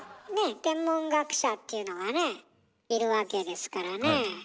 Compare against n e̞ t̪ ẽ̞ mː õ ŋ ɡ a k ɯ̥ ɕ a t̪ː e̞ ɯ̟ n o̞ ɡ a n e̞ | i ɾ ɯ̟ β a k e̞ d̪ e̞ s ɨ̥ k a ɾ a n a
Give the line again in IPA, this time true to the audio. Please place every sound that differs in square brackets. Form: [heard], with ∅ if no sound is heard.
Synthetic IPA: n e̞ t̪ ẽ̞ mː õ ŋ ɡ a k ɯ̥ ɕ a t̪ː e̞ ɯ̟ n o̞ ɡ a n e̞ | i ɾ ɯ̟ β a k e̞ d̪ e̞ s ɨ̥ k a ɾ a n [e]